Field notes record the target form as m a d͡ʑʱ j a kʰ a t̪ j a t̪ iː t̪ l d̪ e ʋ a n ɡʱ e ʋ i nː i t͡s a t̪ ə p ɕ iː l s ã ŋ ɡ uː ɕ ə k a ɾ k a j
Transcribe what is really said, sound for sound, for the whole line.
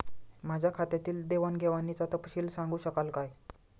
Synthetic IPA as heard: m a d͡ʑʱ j a kʰ a t̪ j a t̪ iː l d̪ e ʋ a n ɡʱ e ʋ a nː i t͡s a t̪ ə p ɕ iː l s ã ŋ ɡ uː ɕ ə k a l k a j

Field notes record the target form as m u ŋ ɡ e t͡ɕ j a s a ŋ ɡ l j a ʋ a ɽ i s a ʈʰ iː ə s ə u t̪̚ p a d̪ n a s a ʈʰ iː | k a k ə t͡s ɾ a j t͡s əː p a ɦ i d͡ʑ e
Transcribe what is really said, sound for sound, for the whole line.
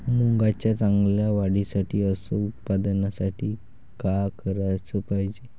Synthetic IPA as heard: m u ŋ ɡ a t͡ɕ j a t͡s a ŋ ɡ l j a ʋ a ɽ i s a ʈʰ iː ə s ə u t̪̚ p a d̪ n a s a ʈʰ iː | k a k ə ɾ a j t͡s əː p a ɦ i d͡ʑ e

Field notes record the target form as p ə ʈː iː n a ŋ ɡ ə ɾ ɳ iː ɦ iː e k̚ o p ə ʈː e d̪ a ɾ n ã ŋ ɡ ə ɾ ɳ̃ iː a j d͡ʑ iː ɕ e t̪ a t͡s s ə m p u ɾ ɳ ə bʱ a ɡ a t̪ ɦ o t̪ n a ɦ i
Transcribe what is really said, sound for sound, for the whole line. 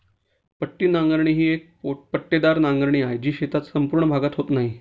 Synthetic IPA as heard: p ə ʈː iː n a ŋ ɡ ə ɾ ɳ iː ɦ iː e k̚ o p ə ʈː e d̪ a ɾ n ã ŋ ɡ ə ɾ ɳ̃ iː a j d͡ʑ iː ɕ e t̪ a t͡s s ə m p u ɾ ɳ ə bʱ a ɡ a t̪ ɦ o t̪ n a ɦ i

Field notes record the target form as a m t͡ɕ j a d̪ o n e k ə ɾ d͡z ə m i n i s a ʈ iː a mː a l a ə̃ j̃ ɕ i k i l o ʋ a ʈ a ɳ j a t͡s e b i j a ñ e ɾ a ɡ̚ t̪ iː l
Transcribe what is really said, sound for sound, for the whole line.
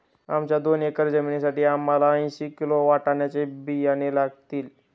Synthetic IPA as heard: a m t͡ɕ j a d̪ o n e k ə ɾ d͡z ə m i n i s a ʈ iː a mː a l a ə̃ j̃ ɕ i k i l o ʋ a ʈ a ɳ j a t͡s e b i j a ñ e l a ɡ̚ t̪ iː l

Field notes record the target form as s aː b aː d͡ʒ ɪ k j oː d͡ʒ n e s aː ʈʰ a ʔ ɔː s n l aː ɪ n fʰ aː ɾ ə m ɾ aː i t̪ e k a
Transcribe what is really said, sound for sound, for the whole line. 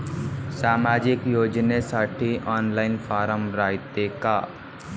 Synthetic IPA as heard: s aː m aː d͡ʒ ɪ k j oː d͡ʒ n e s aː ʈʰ i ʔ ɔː n l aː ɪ n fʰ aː ɾ ə m ɾ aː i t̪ e k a

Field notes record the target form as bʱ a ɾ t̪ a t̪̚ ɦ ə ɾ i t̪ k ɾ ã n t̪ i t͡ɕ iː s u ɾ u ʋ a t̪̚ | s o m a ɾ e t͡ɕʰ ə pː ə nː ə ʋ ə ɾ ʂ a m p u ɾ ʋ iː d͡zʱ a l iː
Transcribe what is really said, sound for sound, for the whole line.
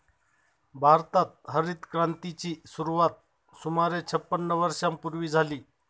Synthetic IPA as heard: bʱ a ɾ t̪ a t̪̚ ɦ ə ɾ i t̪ k ɾ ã n t̪ i t͡ɕ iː s u ɾ u ʋ a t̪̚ | s u m a ɾ e t͡ɕʰ ə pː ə nː ə ʋ ə ɾ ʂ a m p u ɾ ʋ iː d͡zʱ a l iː

